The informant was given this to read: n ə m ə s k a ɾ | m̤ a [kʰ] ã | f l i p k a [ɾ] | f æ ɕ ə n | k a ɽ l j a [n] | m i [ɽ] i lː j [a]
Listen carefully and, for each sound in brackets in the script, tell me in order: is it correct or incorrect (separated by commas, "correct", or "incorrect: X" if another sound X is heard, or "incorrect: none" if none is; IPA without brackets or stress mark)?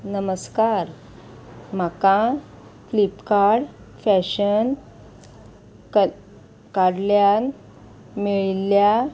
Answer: incorrect: k, incorrect: ɽ, correct, incorrect: ɭ, correct